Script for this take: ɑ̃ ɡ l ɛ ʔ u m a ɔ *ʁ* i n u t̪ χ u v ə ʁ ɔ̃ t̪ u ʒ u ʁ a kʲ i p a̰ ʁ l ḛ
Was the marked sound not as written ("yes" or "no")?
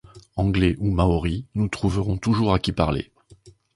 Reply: no